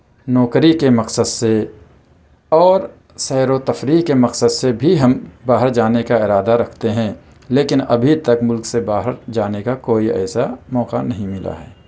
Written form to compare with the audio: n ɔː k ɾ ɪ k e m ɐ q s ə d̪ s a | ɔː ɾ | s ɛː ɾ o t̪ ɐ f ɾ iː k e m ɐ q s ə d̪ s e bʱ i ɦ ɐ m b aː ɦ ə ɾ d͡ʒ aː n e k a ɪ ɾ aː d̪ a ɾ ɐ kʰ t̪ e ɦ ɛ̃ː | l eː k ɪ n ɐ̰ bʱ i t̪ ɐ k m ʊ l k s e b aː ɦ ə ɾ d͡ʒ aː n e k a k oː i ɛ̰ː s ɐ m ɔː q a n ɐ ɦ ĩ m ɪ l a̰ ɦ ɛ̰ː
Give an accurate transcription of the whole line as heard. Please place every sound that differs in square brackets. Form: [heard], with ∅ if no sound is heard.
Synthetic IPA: n ɔː k ɾ [i] k e m ɐ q s ə d̪ s [e] | ɔː ɾ | s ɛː ɾ o t̪ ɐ f ɾ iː k e m ɐ q s ə d̪ s e bʱ i ɦ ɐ m b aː ɦ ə ɾ d͡ʒ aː n e k a ɪ ɾ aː d̪ a ɾ ɐ kʰ t̪ e ɦ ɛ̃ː | l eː k ɪ n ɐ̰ bʱ i t̪ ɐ k m ʊ l k s e b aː ɦ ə ɾ d͡ʒ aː n e k a k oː i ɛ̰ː s [a] m ɔː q a n ɐ ɦ ĩ m ɪ l a̰ ɦ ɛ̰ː